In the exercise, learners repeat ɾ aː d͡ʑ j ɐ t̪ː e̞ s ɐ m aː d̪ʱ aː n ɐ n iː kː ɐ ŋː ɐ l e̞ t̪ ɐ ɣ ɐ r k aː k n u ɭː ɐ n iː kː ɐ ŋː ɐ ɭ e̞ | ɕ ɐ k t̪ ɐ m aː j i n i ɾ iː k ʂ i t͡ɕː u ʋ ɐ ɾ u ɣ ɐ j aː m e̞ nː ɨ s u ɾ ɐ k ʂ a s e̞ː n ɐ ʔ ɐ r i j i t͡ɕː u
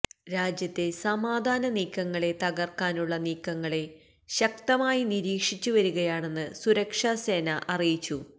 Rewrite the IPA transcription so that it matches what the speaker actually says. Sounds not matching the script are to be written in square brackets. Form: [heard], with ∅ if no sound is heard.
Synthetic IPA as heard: ɾ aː d͡ʑ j ɐ t̪ː e̞ s ɐ m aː d̪ʱ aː n ɐ n iː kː ɐ ŋː ɐ [ɭ] e̞ t̪ ɐ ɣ ɐ r k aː [∅] n u ɭː ɐ n iː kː ɐ ŋː ɐ ɭ e̞ | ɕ ɐ k t̪ ɐ m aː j i n i ɾ iː k ʂ i t͡ɕː u ʋ ɐ ɾ u ɣ ɐ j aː [ɳ] e̞ nː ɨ s u ɾ ɐ k ʂ a s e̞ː n ɐ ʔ ɐ r i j i t͡ɕː u

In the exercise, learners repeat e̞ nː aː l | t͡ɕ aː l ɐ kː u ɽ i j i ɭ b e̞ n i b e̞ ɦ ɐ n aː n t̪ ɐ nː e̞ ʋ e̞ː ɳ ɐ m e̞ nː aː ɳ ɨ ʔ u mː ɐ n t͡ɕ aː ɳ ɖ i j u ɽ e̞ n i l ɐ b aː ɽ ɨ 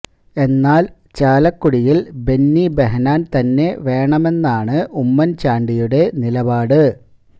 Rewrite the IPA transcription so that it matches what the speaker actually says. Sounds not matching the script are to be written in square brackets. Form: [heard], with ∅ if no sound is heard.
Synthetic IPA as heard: e̞ nː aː l | t͡ɕ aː l ɐ kː u ɽ i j i [l] b e̞ [nː] i b e̞ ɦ ɐ n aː n t̪ ɐ nː e̞ ʋ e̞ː ɳ ɐ m e̞ nː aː ɳ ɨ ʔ u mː ɐ n t͡ɕ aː ɳ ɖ i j u ɽ e̞ n i l ɐ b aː ɽ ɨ

